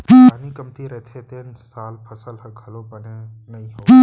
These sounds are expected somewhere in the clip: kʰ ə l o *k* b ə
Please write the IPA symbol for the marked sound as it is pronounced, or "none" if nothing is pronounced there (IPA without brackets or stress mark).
none